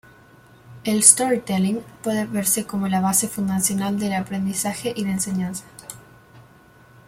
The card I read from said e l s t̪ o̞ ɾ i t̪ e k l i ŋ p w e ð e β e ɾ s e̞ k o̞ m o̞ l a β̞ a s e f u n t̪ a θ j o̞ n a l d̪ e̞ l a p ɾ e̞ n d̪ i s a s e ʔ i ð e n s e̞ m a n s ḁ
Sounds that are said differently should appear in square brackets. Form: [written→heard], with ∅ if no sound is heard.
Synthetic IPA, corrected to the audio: e l s t̪ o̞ ɾ i t̪ e [k→∅] l i ŋ p w e ð e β e ɾ s e̞ k o̞ m o̞ l a β̞ a s e f u n [t̪→d̪] a [θ→s] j o̞ n a l d̪ e̞ l a p ɾ e̞ n d̪ i s a [s→x] e ʔ i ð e n s e̞ [m→ɲ] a n s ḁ